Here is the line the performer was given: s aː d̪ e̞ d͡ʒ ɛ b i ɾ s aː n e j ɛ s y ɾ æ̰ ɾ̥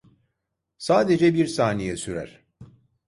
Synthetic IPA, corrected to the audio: s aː d̪ e̞ d͡ʒ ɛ b i ɾ s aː n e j ɛ s y ɾ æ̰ ɾ̥